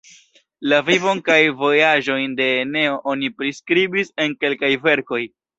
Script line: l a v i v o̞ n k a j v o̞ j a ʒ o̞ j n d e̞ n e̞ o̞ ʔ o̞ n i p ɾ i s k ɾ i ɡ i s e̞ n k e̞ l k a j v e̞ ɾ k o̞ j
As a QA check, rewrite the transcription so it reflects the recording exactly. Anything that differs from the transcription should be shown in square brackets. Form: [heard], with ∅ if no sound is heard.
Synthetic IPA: l a v i v o̞ n k a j v o̞ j a ʒ o̞ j n d e̞ n e̞ o̞ ʔ o̞ n i p ɾ i s k ɾ i [b] i s e̞ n k e̞ l k a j v e̞ ɾ k o̞ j